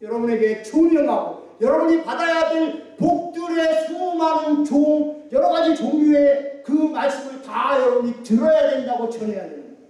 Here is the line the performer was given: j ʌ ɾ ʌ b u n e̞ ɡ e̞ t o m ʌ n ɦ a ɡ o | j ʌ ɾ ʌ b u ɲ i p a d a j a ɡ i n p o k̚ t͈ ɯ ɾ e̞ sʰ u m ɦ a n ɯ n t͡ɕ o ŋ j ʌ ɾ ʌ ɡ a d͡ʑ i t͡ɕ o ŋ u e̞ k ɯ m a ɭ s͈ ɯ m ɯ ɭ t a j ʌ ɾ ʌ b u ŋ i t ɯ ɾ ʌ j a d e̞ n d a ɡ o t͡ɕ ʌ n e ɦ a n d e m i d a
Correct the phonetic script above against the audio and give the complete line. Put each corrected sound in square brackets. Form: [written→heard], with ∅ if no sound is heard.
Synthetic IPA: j ʌ ɾ ʌ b u n e̞ ɡ e̞ [t→t͡ɕ] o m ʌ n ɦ a ɡ o | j ʌ ɾ ʌ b u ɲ i p a d a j a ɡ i n p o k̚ t͈ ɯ ɾ e̞ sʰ u m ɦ a n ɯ n t͡ɕ o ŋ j ʌ ɾ ʌ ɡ a d͡ʑ i t͡ɕ o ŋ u e̞ k ɯ m a ɭ s͈ ɯ m ɯ ɭ t a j ʌ ɾ ʌ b u [ŋ→ɲ] i t ɯ ɾ ʌ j a d e̞ n d a ɡ o t͡ɕ ʌ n e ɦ a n d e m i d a